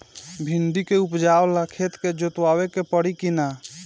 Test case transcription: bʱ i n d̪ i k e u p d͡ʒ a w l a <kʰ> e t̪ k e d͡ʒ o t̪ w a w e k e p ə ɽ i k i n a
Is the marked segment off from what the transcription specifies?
no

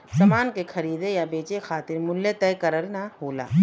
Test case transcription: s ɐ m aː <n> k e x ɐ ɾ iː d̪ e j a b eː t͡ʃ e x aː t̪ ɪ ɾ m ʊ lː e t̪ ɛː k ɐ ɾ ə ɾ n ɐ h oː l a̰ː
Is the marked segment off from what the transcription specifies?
no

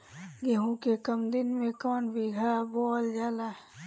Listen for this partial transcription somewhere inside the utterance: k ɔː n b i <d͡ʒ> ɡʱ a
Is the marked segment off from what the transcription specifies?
yes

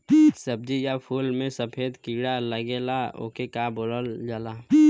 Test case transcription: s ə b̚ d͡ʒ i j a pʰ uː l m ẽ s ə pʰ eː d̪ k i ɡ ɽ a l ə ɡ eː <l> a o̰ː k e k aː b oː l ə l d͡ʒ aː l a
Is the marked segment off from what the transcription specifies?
no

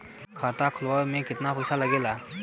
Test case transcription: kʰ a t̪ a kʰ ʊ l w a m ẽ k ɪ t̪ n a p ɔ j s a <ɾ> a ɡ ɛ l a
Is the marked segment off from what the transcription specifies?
yes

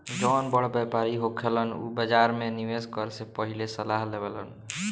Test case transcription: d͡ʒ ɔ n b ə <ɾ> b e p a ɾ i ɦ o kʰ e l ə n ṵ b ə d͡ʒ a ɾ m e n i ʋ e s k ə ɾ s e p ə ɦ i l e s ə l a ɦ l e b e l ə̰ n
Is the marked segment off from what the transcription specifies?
yes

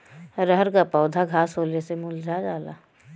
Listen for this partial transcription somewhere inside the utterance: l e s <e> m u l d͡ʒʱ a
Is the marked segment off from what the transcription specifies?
no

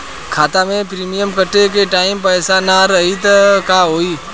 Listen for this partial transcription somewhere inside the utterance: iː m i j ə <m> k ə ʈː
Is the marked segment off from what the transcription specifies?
no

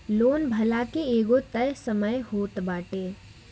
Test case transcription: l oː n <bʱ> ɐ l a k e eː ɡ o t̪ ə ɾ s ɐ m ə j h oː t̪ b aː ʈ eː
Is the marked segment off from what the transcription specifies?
no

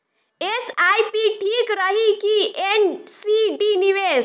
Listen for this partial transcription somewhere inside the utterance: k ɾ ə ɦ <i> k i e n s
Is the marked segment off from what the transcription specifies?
no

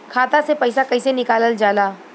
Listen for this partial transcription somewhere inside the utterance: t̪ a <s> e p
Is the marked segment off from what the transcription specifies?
no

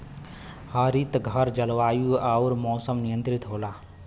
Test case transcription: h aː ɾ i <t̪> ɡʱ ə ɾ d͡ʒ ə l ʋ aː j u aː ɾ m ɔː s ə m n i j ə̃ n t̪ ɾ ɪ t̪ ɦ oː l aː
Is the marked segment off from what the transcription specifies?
no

